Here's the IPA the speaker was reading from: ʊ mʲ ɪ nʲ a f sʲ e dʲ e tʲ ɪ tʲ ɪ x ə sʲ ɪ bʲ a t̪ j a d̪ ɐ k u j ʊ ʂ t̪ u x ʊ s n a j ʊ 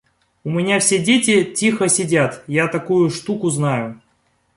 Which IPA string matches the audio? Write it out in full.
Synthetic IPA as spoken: ʊ mʲ ɪ nʲ a f sʲ e dʲ e tʲ ɪ tʲ i x ə sʲ ɪ dʲ a t̪ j a t̪ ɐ k u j ʊ ʂ t̪ u k ʊ z n a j ʊ

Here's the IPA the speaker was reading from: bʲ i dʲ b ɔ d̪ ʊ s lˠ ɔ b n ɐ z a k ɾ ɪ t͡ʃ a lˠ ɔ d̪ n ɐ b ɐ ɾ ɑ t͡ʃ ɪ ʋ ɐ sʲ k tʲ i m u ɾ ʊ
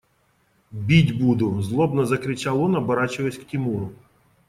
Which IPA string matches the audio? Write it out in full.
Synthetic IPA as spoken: bʲ i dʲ b u d̪ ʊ z lˠ ɔ b n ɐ z ɐ k ɾ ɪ t͡ʃ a lˠ ɔ n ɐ b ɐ ɾ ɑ t͡ʃ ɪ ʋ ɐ sʲ k tʲ i m u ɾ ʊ

